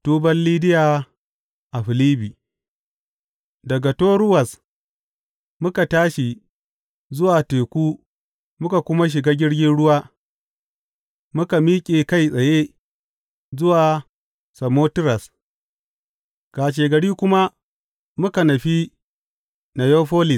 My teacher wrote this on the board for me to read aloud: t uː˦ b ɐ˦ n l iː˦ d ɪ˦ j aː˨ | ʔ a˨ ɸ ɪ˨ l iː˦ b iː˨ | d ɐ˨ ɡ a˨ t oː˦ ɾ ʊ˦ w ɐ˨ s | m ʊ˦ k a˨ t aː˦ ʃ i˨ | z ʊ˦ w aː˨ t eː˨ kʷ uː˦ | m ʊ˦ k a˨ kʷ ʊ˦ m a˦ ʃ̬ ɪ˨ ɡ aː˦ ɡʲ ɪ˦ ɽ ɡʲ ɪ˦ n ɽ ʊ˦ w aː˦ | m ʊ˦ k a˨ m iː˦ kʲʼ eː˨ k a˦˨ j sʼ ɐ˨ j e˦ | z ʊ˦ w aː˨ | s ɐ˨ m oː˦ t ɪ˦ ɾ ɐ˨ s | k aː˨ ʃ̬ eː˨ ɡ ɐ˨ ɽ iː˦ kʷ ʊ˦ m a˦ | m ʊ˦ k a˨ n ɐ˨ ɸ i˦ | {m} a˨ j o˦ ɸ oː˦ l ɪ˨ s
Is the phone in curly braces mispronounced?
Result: yes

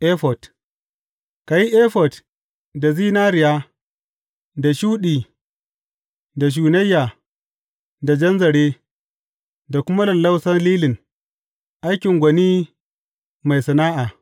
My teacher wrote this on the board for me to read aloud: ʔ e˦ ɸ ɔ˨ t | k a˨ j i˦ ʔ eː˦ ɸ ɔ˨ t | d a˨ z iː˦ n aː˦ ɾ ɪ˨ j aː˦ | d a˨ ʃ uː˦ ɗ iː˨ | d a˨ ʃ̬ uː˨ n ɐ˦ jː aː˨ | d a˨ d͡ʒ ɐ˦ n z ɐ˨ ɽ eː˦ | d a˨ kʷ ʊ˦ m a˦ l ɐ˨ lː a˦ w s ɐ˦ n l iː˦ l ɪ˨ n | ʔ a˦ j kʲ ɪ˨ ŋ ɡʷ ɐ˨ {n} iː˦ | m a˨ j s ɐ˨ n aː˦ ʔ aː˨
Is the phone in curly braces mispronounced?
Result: no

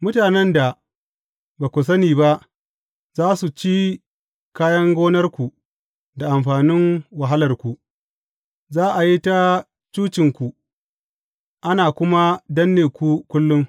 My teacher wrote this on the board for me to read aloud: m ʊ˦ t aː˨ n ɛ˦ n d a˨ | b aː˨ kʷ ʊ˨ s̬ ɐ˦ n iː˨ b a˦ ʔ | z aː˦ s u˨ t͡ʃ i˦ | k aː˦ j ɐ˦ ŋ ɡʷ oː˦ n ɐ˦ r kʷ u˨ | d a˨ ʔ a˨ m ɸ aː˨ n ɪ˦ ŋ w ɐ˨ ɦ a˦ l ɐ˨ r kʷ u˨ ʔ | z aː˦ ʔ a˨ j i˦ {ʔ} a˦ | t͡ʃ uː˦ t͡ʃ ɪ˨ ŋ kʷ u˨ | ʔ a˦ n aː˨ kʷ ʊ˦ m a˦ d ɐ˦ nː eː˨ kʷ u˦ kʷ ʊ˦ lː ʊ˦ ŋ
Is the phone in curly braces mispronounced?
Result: yes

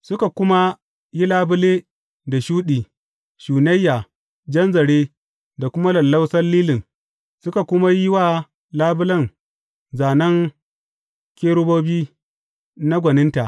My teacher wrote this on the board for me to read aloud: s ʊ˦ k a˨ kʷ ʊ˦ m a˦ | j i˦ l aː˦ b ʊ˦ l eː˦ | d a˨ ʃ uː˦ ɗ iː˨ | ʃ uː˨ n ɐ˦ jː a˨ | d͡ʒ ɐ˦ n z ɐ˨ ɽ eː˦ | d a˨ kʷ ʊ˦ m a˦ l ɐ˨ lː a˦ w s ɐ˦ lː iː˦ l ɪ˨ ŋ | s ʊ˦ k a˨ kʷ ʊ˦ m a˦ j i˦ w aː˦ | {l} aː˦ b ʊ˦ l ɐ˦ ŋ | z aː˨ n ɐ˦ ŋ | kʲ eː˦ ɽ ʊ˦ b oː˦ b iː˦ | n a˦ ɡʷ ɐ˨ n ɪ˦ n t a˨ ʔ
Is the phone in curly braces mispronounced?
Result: no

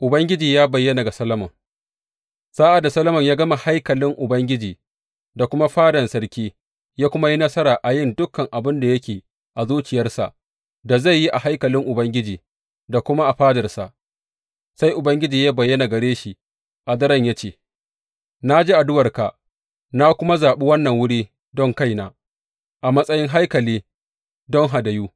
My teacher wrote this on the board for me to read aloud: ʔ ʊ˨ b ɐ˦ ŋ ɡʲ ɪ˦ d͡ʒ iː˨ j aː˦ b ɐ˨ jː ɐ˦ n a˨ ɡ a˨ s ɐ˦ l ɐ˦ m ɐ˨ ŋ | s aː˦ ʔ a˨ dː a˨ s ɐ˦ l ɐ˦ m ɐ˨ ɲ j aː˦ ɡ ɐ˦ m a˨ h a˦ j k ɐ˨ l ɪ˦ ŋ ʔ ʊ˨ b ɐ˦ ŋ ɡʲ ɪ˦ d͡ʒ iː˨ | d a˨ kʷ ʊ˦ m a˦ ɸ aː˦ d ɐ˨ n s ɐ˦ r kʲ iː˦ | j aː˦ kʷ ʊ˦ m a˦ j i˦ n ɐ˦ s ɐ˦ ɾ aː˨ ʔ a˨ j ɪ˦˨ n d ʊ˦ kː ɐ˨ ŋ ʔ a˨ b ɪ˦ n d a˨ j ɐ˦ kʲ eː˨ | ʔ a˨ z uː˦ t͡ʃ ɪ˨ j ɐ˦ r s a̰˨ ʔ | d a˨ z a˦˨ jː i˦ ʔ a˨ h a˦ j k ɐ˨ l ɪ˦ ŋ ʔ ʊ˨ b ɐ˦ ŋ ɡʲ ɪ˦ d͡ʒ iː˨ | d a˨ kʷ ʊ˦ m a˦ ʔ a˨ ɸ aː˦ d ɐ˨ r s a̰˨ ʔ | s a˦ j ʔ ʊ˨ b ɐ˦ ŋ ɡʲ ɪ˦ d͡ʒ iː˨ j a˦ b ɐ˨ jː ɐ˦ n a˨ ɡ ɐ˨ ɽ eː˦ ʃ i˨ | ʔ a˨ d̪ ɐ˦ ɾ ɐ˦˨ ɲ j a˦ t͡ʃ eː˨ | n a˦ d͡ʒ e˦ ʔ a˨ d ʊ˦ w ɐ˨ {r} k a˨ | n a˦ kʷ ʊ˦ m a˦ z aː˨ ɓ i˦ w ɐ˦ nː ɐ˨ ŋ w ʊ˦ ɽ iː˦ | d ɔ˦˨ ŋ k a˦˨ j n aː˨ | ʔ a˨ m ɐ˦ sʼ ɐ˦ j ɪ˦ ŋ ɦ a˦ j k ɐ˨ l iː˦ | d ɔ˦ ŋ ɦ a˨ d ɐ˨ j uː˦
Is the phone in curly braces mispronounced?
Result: no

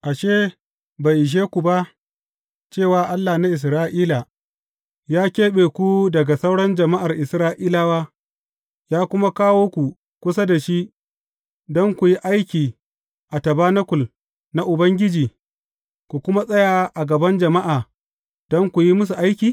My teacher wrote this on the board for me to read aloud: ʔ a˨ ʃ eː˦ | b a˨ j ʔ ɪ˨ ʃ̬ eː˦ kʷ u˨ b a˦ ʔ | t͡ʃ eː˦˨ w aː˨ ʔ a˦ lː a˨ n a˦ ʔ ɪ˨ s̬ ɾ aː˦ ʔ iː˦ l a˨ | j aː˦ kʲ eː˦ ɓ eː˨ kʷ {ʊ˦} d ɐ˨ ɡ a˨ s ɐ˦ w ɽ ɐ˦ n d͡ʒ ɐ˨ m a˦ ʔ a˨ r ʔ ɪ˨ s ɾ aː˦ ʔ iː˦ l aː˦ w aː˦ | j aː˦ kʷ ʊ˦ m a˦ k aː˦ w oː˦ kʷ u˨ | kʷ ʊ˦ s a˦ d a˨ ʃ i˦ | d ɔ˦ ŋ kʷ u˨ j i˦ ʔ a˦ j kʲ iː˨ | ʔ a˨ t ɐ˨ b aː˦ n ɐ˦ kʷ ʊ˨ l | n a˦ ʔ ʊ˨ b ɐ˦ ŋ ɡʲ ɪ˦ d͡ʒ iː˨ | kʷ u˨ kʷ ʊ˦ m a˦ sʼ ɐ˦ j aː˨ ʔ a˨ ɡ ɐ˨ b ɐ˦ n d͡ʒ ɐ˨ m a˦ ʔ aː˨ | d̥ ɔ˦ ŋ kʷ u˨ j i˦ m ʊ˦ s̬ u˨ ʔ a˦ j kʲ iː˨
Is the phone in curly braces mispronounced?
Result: yes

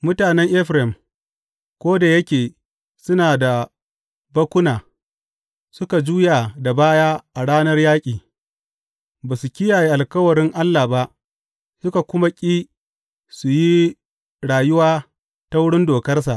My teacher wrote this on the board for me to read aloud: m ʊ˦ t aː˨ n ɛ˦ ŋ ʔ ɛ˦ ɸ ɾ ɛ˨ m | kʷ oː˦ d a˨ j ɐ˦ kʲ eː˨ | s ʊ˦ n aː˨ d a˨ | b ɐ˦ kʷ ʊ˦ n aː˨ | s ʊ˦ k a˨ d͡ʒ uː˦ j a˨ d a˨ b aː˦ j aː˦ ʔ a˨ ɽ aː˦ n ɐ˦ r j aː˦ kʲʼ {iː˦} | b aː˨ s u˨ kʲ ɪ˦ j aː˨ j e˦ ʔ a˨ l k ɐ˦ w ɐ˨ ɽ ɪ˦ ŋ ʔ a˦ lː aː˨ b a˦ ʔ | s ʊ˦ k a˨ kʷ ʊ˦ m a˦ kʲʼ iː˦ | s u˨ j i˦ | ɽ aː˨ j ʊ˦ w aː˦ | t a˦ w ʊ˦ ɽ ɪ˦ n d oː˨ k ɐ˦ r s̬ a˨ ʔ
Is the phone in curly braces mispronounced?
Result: yes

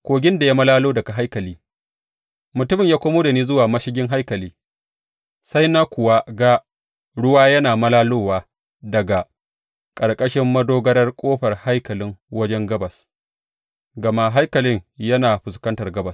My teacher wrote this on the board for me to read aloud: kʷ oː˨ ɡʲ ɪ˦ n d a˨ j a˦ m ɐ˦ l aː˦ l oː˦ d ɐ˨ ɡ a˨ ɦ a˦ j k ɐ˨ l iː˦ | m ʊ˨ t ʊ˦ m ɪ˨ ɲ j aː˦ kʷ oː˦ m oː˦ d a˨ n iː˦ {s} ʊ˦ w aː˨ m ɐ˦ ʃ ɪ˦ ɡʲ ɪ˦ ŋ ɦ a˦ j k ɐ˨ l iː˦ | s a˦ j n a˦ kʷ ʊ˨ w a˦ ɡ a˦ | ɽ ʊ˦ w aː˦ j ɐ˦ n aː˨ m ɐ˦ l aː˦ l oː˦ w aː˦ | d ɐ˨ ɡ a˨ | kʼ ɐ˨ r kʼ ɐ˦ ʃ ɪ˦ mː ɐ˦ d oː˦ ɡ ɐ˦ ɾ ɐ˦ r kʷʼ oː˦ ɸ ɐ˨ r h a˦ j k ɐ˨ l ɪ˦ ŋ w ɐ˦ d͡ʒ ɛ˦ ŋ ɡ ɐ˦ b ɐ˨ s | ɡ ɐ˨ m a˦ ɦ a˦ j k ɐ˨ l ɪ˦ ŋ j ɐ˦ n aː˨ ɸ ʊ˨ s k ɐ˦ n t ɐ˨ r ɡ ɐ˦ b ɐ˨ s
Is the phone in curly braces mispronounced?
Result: yes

